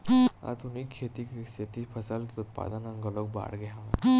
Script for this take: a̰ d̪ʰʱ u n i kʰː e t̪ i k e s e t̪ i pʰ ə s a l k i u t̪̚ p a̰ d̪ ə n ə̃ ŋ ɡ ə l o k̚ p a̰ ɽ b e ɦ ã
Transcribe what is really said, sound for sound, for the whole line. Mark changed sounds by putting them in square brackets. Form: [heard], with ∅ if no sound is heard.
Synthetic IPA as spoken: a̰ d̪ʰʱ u n i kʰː e t̪ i k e s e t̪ i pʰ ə s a l k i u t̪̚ p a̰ d̪ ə n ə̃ ŋ ɡ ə l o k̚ [b] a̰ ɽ [ɡ] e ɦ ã